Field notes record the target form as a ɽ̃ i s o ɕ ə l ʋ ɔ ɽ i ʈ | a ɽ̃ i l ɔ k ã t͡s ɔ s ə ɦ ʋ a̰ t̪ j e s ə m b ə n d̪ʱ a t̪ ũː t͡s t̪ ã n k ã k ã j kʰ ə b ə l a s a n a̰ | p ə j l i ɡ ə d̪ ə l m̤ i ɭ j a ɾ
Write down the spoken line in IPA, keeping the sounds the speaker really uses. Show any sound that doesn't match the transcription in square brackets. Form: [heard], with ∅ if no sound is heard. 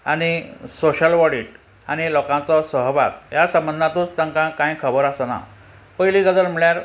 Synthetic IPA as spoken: a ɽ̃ i s o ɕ ə l ʋ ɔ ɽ i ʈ | a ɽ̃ i l ɔ k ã t͡s ɔ s ə ɦ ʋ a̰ t̪ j [a] s ə m b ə n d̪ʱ a t̪ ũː t͡s t̪ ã [ŋ] k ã k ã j kʰ ə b ə [ɾ] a s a n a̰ | p ə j l i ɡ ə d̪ ə l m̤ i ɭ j a ɾ